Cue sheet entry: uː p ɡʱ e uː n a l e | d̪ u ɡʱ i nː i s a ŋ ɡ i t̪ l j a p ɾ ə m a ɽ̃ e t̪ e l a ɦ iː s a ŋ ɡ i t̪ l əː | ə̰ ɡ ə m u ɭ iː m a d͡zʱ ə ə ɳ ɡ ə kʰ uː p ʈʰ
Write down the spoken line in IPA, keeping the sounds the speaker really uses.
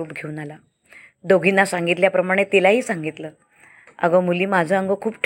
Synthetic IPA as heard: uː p ɡʱ e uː n a l a | d̪ o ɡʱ i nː a s a ŋ ɡ i t̪ l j a p ɾ ə m a ɽ̃ e t̪ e l a ɦ iː s a ŋ ɡ i t̪ l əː | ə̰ ɡ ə m u l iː m a d͡zʱ ə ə ŋ ɡ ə kʰ uː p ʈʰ